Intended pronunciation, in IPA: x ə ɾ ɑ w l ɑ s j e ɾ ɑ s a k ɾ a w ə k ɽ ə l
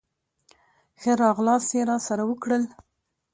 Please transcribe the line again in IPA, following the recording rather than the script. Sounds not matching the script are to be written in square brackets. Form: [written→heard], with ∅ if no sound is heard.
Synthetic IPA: x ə ɾ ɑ [w→ɣ] l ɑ s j e ɾ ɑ s a [k→∅] ɾ a w ə k ɽ ə l